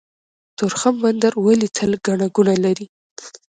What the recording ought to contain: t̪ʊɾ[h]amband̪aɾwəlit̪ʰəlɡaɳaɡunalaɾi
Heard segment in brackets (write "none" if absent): x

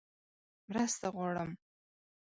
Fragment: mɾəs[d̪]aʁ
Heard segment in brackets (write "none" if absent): t̪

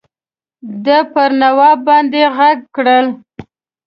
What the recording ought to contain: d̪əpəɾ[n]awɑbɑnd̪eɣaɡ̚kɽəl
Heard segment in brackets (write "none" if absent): n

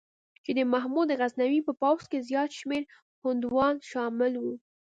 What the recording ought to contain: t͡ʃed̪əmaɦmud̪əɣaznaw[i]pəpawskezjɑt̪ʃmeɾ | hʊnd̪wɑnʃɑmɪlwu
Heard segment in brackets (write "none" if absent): i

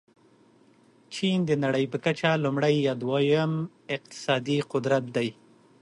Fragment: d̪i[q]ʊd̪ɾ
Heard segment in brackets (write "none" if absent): q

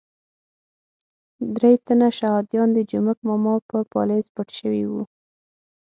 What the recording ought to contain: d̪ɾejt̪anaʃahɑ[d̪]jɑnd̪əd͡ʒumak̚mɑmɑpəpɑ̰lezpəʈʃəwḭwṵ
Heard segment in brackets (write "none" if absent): d̪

